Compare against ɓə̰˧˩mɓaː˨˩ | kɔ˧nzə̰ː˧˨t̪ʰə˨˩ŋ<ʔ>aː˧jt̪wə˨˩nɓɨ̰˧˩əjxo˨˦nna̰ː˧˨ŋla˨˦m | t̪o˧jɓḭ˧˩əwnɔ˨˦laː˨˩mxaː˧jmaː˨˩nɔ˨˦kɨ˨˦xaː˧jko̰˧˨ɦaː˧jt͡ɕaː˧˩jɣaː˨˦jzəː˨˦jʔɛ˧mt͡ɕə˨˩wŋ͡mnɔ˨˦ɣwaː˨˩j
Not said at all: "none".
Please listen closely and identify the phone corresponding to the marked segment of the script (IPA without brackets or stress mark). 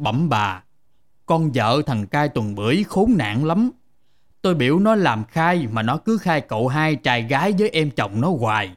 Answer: k